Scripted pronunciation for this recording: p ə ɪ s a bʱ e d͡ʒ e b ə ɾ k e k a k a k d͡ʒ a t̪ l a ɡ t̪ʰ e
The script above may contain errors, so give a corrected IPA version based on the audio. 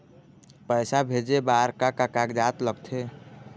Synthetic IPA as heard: p ə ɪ s a bʱ e d͡ʒ e b a ɾ k a k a k a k d͡ʒ a t̪ l ə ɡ t̪ʰ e

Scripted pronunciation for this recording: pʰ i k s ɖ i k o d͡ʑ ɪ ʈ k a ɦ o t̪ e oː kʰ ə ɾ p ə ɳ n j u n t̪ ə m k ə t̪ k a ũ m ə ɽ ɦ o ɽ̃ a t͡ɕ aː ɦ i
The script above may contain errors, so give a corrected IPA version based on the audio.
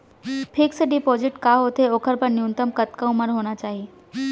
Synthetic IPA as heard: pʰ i k s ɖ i p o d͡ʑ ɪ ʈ k a ɦ o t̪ e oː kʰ ə ɾ p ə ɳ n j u n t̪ ə m k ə t̪ k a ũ m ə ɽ ɦ o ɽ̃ a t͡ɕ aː ɦ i

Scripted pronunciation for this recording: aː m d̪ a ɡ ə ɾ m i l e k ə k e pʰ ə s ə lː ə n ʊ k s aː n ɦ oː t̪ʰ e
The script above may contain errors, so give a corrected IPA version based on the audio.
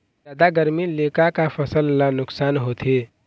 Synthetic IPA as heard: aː d̪ a ɡ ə ɾ m i l e k a k a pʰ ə s ə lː a n ʊ k s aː n ɦ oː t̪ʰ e

